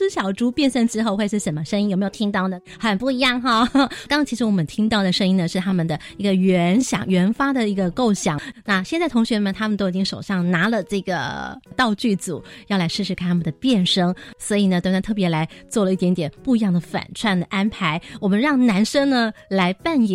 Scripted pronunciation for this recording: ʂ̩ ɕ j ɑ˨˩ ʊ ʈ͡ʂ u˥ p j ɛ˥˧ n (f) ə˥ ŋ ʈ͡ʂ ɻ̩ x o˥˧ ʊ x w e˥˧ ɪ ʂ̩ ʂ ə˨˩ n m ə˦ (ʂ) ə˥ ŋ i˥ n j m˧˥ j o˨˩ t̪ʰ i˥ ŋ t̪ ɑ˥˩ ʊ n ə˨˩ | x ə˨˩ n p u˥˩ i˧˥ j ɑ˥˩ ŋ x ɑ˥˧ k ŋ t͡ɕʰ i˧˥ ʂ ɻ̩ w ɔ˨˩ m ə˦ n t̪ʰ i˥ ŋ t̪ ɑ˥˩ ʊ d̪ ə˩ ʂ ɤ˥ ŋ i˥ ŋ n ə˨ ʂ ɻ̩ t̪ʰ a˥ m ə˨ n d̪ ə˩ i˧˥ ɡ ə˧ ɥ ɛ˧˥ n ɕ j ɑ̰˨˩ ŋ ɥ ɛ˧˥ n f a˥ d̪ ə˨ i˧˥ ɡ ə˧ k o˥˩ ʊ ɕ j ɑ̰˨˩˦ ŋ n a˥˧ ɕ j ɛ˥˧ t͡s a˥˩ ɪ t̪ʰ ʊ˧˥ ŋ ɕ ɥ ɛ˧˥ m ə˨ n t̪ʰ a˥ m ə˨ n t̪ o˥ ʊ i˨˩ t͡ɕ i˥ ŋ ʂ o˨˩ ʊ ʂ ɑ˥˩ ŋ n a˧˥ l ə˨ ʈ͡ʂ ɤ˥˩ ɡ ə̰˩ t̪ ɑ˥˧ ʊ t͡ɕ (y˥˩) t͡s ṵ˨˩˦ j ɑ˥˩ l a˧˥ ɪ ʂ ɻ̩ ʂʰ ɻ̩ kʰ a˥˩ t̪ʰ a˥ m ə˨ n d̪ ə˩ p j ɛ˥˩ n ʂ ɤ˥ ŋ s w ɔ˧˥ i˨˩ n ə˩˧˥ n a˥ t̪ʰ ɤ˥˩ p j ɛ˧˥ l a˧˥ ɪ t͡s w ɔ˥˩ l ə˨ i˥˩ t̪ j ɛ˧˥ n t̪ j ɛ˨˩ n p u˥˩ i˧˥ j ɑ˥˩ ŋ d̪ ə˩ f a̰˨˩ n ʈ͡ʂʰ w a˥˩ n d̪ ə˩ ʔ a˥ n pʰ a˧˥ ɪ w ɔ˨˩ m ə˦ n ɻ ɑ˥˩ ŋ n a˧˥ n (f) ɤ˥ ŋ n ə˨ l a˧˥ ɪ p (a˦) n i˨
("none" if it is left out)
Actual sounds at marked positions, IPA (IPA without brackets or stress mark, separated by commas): ʂ, ʂ, y˥˩, ʂ, a˥˩